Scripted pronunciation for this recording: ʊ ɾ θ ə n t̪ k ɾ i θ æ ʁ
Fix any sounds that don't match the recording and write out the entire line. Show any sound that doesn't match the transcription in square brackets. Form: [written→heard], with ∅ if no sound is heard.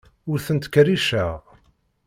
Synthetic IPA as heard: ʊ ɾ θ ə n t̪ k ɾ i [θ→ʃ] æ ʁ